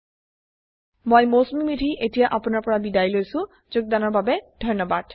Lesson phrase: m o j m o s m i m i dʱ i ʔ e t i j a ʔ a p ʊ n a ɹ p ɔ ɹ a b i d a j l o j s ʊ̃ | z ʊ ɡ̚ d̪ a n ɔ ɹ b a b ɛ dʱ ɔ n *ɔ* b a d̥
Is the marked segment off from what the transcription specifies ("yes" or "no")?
no